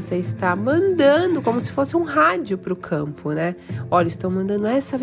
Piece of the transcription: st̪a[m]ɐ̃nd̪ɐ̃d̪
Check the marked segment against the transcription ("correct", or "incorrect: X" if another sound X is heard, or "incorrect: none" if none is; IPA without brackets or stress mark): correct